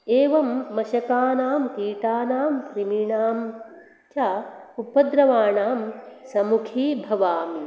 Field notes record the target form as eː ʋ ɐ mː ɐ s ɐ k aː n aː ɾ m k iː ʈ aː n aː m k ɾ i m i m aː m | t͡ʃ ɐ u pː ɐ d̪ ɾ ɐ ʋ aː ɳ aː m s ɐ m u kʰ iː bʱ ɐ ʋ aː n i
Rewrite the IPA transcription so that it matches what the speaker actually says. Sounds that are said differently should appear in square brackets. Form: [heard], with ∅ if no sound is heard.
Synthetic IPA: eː ʋ ɐ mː ɐ [ʃ] ɐ k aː n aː [∅] m k iː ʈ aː n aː m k ɾ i m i [ɳ] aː m | t͡ʃ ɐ u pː ɐ d̪ ɾ ɐ ʋ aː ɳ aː m s ɐ m u kʰ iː bʱ ɐ ʋ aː [m] i

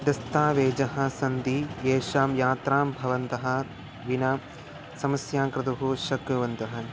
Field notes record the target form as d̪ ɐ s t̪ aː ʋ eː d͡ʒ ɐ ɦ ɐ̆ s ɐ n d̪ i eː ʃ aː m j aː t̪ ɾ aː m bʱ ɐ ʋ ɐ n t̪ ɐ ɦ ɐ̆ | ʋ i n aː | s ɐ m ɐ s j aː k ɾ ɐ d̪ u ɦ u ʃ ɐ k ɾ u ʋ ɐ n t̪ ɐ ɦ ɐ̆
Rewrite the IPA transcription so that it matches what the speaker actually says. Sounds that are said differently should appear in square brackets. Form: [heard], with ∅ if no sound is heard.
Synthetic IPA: d̪ ɐ s t̪ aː ʋ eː d͡ʒ ɐ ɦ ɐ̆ s ɐ n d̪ i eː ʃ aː m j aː t̪ ɾ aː m bʱ ɐ ʋ ɐ n t̪ ɐ ɦ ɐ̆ | ʋ i n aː | s ɐ m ɐ s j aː k ɾ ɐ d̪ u ɦ u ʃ ɐ k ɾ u ʋ ɐ n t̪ ɐ ɦ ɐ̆

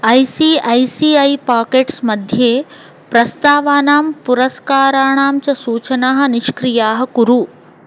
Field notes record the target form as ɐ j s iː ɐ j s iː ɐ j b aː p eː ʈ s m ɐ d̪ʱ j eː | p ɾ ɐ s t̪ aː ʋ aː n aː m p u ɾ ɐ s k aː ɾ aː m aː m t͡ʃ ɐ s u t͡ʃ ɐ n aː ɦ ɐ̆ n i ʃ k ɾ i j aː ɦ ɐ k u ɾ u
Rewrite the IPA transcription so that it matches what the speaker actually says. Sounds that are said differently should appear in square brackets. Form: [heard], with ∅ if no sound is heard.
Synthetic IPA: ɐ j s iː ɐ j s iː ɐ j [p] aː [k] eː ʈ s m ɐ d̪ʱ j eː | p ɾ ɐ s t̪ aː ʋ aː n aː m p u ɾ ɐ s k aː ɾ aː [ɳ] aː m t͡ʃ ɐ s [uː] t͡ʃ ɐ n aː ɦ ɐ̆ n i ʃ k ɾ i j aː ɦ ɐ k u ɾ u

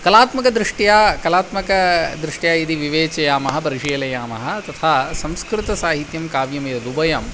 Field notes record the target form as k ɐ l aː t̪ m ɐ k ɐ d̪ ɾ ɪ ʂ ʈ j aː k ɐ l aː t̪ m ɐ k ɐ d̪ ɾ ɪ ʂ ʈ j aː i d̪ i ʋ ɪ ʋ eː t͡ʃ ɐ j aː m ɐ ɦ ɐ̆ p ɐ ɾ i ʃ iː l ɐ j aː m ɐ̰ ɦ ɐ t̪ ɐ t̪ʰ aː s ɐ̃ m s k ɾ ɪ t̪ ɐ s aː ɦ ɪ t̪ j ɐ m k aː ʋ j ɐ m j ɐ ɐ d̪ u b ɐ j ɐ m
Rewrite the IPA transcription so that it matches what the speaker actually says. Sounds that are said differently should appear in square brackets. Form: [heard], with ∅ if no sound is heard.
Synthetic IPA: k ɐ l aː t̪ m ɐ k ɐ d̪ ɾ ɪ ʂ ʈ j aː k ɐ l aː t̪ m ɐ k ɐ d̪ ɾ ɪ ʂ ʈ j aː i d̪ i ʋ [i] ʋ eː t͡ʃ ɐ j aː m ɐ ɦ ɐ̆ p ɐ ɾ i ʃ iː l ɐ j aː m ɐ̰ ɦ ɐ t̪ ɐ t̪ʰ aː s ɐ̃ m s k ɾ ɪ t̪ ɐ s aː ɦ [i] t̪ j ɐ m k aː ʋ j ɐ m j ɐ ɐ d̪ u b ɐ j ɐ m

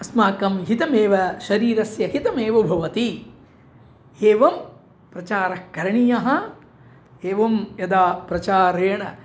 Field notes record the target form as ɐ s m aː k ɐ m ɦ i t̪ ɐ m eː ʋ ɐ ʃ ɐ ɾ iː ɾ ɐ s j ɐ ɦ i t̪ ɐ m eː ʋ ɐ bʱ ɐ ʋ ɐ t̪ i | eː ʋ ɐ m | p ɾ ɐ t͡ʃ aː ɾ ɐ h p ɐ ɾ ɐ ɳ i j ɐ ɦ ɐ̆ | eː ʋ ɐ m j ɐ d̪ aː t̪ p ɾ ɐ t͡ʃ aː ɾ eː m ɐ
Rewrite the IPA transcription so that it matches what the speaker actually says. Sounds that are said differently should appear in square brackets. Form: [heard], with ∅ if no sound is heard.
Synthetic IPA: ɐ s m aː k ɐ m ɦ i t̪ ɐ m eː ʋ ɐ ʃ ɐ ɾ iː ɾ ɐ s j ɐ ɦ i t̪ ɐ m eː ʋ ɐ bʱ ɐ ʋ ɐ t̪ i | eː ʋ ɐ m | p ɾ ɐ t͡ʃ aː ɾ ɐ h [k] ɐ ɾ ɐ ɳ i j ɐ ɦ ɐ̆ | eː ʋ ɐ m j ɐ d̪ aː [∅] p ɾ ɐ t͡ʃ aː ɾ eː [ɳ] ɐ

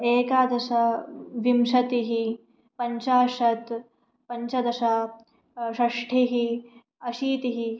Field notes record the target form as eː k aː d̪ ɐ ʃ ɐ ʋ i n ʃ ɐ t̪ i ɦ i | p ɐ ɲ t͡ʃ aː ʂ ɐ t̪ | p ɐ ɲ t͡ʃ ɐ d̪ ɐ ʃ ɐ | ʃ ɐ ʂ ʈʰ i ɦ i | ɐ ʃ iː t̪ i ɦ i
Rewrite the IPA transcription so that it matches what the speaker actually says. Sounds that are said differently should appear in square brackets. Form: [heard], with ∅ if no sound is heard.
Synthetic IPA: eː k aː d̪ ɐ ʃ ɐ ʋ i [m] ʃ ɐ t̪ i ɦ i | p ɐ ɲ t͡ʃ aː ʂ ɐ t̪ | p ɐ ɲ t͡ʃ ɐ d̪ ɐ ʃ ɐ | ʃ ɐ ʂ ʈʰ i ɦ i | ɐ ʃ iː t̪ i ɦ i

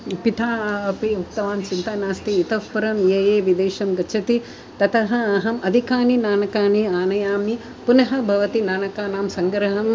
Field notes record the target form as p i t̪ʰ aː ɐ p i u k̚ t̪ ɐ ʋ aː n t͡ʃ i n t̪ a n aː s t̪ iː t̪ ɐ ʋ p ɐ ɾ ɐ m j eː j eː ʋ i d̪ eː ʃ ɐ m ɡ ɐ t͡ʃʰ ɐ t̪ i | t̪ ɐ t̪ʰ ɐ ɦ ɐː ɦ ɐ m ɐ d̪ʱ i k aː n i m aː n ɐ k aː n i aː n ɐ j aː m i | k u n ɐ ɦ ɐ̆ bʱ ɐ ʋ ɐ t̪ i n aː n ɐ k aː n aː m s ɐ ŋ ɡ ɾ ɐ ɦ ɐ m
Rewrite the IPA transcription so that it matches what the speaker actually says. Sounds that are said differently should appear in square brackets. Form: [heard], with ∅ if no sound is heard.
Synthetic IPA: p i t̪ʰ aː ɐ p i u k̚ t̪ ɐ ʋ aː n t͡ʃ i n t̪ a n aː s t̪ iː t̪ ɐ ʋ p ɐ ɾ ɐ m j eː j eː ʋ i d̪ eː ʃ ɐ m ɡ ɐ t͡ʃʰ ɐ t̪ i | t̪ ɐ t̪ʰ ɐ ɦ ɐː ɦ ɐ m ɐ d̪ʱ i k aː n i [n] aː n ɐ k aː n i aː n ɐ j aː m i | [p] u n ɐ ɦ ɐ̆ bʱ ɐ ʋ ɐ t̪ i n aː n ɐ k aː n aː m s ɐ ŋ ɡ ɾ ɐ ɦ ɐ m

